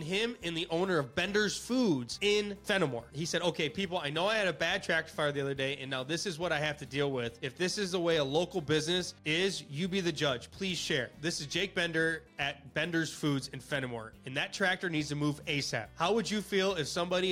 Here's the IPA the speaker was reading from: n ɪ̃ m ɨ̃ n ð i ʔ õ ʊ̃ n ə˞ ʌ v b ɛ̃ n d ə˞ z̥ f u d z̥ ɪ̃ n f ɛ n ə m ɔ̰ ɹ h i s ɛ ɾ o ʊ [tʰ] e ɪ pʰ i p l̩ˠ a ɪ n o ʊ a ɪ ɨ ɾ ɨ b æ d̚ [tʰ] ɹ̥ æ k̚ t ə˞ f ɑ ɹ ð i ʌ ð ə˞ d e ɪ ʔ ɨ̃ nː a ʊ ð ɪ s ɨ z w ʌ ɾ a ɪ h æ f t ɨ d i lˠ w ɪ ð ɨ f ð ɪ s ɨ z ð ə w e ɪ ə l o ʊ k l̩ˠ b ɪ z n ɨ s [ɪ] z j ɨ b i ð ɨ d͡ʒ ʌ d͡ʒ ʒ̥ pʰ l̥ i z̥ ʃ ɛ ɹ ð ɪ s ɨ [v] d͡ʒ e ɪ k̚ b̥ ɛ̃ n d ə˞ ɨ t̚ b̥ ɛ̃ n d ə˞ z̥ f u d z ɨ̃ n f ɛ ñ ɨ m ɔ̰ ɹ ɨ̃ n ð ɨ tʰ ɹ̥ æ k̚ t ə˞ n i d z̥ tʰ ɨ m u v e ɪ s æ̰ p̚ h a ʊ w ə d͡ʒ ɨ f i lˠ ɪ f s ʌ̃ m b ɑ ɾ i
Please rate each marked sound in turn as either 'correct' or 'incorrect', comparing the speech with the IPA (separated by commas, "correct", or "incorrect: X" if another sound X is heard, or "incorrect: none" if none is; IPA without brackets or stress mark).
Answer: incorrect: kʰ, correct, correct, incorrect: z